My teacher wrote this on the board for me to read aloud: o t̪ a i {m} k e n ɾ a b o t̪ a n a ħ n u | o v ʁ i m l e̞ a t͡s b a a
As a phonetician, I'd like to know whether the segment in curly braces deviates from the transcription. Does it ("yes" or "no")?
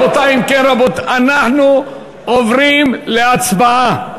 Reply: no